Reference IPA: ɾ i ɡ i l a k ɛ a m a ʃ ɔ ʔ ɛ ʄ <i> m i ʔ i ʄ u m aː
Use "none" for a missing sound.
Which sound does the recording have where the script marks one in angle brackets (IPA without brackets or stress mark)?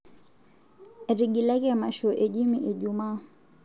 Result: i